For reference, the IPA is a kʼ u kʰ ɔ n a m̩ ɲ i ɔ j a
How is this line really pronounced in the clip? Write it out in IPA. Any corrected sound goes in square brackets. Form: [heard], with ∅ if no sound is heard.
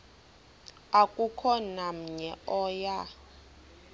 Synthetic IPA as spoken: a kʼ u kʰ ɔ n a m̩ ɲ [ɛ] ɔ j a